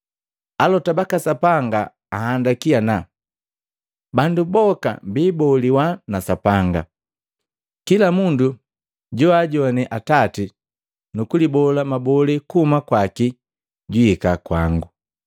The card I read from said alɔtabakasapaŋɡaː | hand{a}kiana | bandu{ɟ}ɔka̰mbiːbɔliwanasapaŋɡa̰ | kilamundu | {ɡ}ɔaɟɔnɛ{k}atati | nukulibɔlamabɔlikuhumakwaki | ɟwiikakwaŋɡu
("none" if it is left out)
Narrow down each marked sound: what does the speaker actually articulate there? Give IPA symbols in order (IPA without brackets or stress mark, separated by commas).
a, b, ɟ, ʔ